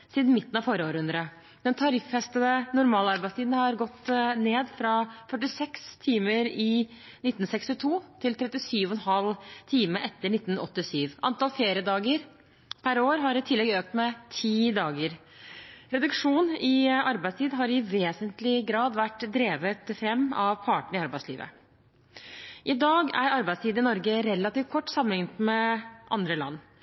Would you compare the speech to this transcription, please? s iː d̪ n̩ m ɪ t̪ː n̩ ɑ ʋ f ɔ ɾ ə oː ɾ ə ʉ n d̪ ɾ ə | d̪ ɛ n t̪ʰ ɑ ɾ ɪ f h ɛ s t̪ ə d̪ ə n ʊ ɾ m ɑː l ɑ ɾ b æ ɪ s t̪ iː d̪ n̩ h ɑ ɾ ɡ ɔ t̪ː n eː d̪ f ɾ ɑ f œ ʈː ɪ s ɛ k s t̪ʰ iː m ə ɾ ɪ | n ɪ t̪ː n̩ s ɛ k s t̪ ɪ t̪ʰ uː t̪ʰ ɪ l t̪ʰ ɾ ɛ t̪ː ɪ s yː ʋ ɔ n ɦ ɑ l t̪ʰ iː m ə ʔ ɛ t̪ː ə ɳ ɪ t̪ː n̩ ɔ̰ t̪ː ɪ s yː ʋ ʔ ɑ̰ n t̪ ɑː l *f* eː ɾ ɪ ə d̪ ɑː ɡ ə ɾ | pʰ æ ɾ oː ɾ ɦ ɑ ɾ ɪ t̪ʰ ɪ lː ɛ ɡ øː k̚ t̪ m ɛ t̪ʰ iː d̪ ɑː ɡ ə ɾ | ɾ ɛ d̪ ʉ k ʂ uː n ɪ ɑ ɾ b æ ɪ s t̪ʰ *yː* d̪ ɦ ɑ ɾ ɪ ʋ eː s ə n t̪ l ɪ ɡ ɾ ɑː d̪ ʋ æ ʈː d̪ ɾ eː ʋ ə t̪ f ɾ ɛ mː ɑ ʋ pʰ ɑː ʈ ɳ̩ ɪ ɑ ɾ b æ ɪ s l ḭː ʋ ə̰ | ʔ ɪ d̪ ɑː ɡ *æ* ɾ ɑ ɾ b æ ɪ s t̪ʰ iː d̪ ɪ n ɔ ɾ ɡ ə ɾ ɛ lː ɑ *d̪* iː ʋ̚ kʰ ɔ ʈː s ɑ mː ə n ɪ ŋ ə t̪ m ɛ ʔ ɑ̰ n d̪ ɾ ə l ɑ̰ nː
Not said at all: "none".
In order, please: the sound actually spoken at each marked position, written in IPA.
f, iː, æ, t̪

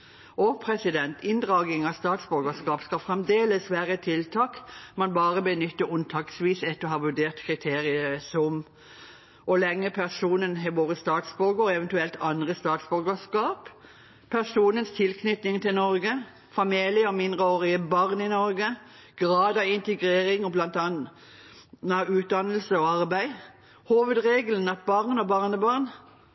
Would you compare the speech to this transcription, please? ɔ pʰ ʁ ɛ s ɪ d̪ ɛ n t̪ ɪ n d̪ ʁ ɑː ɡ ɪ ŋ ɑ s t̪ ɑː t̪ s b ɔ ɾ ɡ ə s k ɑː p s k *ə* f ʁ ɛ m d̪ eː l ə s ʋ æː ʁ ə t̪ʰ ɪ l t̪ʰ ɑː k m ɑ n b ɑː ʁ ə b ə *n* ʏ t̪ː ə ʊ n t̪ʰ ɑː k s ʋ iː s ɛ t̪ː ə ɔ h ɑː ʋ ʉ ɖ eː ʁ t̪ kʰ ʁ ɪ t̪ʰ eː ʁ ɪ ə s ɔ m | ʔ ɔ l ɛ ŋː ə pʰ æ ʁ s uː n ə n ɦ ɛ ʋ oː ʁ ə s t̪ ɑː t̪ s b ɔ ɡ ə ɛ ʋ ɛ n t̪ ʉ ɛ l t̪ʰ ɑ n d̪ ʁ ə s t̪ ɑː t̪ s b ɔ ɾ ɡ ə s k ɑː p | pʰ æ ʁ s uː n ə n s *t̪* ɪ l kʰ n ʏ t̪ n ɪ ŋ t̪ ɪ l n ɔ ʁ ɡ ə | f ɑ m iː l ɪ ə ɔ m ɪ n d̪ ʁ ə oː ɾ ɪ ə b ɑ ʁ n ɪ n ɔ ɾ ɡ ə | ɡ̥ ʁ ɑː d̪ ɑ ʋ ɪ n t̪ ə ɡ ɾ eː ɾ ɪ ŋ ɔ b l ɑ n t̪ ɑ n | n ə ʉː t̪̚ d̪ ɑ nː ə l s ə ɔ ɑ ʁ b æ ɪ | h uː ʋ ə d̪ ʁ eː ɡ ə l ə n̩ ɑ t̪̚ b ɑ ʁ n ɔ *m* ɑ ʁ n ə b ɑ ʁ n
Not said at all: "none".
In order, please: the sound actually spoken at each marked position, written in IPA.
ɑ, n, t̪ʰ, b

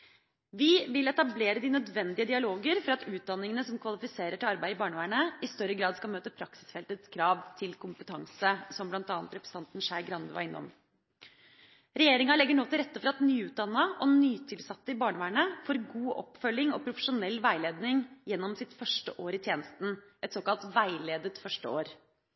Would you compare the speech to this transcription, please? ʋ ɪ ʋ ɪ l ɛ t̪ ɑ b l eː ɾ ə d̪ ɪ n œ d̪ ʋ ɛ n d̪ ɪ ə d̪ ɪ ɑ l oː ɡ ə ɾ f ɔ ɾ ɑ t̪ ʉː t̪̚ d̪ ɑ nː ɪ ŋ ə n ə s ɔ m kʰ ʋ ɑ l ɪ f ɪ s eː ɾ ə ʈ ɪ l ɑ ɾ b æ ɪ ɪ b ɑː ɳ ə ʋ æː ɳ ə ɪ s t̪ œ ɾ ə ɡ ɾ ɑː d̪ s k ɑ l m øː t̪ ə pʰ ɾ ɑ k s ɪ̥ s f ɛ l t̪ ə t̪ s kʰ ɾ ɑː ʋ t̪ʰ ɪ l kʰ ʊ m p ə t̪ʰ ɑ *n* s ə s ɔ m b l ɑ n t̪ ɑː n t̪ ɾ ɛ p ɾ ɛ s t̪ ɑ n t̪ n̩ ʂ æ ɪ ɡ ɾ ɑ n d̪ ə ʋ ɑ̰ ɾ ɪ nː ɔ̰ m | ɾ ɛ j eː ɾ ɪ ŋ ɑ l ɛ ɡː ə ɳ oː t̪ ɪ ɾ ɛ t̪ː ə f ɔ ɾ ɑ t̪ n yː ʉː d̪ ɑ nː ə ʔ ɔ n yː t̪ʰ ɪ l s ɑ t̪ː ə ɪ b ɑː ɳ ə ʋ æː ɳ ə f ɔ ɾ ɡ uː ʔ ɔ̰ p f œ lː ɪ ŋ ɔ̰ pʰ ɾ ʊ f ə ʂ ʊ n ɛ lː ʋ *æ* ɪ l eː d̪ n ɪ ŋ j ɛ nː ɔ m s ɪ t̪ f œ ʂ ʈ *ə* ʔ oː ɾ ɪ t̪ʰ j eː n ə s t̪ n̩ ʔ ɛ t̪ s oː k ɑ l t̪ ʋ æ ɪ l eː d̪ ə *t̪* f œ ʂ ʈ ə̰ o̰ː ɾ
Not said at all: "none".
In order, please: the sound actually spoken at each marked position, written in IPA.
ŋ, æ, ə, t̪

